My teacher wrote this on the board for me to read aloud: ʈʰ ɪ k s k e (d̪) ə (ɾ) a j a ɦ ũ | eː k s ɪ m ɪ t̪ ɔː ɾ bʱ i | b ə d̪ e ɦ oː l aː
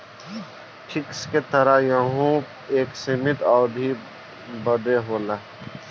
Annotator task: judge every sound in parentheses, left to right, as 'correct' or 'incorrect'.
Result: incorrect, correct

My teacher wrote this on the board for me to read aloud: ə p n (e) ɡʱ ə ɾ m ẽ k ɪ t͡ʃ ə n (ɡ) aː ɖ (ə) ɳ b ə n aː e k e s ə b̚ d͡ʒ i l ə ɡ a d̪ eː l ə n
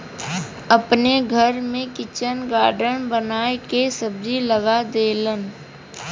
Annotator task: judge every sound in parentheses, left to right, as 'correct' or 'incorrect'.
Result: correct, correct, correct

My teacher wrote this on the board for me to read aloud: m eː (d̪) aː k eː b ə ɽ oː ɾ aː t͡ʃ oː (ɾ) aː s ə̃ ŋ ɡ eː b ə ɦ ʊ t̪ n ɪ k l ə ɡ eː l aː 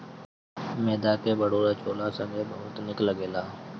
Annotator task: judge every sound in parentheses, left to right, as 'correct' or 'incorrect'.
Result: correct, incorrect

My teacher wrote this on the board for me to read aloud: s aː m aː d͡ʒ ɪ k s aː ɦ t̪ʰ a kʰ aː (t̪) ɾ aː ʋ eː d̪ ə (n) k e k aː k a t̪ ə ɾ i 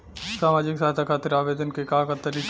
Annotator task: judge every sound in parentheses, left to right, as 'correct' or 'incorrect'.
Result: correct, correct

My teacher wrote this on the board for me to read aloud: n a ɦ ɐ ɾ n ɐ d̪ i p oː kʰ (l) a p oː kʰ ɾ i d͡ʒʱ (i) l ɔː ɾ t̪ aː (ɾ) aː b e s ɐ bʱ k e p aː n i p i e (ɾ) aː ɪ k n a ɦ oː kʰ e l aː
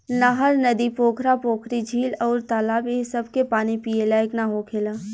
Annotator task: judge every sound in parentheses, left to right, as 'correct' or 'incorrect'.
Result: incorrect, incorrect, incorrect, incorrect

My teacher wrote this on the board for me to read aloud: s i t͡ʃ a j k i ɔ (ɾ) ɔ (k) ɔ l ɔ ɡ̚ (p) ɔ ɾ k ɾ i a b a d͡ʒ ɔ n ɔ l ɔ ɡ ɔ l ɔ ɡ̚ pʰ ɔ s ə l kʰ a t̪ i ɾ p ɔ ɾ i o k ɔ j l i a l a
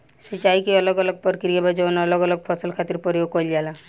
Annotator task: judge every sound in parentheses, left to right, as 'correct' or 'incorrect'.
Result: incorrect, incorrect, correct

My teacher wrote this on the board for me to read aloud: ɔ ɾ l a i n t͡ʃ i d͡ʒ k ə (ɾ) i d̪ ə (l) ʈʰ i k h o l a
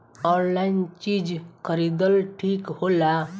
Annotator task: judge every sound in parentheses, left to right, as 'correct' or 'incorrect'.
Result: correct, correct

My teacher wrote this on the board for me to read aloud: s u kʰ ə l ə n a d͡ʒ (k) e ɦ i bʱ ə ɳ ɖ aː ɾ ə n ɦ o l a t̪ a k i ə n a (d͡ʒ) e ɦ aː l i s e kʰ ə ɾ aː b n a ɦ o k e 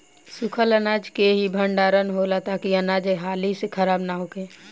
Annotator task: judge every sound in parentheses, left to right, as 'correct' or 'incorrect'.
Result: correct, correct

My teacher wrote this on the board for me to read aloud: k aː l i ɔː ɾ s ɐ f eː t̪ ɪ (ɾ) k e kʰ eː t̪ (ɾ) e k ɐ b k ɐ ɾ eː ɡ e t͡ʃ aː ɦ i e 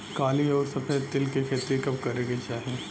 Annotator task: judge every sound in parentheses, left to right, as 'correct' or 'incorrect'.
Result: incorrect, correct

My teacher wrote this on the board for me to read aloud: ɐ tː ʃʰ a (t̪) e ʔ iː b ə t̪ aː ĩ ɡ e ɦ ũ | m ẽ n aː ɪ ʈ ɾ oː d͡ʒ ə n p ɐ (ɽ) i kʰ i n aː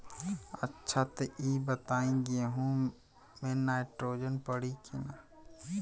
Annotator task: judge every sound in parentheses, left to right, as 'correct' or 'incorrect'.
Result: correct, correct

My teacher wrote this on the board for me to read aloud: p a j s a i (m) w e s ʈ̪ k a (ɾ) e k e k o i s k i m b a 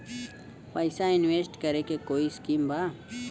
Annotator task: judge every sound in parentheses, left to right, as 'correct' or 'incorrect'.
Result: incorrect, correct

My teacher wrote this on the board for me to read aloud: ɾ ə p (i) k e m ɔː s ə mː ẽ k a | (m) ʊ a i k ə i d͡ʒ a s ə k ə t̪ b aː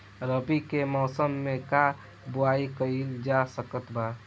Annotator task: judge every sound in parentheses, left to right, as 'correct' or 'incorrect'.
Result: correct, incorrect

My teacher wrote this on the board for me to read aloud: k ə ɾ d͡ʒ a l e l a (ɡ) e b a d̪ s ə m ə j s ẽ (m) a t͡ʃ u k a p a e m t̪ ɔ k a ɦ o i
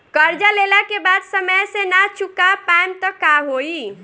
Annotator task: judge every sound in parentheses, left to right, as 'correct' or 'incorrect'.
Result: incorrect, incorrect

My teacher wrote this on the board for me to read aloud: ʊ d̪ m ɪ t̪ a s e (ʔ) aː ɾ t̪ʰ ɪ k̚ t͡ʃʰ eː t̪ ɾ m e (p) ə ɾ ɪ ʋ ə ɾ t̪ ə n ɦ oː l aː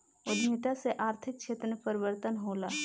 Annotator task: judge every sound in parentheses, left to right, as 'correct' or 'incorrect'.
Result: correct, correct

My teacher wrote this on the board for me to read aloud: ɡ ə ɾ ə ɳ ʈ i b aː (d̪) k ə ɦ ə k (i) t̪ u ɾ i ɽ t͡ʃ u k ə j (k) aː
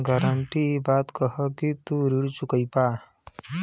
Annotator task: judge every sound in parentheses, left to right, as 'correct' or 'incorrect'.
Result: incorrect, correct, incorrect

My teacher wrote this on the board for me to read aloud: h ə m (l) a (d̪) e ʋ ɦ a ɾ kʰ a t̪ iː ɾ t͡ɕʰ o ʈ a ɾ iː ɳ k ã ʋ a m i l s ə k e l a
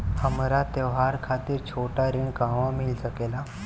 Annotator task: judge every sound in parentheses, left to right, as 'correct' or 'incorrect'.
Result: incorrect, incorrect

